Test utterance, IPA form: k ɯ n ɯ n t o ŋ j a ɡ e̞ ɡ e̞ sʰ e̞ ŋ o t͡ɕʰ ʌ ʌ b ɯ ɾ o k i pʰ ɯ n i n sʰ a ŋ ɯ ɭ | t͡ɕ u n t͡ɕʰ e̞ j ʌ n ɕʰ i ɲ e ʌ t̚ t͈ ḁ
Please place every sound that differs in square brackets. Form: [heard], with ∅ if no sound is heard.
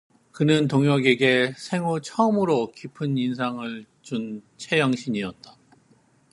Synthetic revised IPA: k ɯ n ɯ n t o ŋ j [ʌ] ɡ e̞ ɡ e̞ sʰ e̞ ŋ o t͡ɕʰ ʌ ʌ [m] ɯ ɾ o k i pʰ ɯ n i n sʰ a ŋ ɯ ɭ | t͡ɕ u n t͡ɕʰ e̞ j ʌ [ŋ] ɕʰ i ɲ [i] ʌ t̚ t͈ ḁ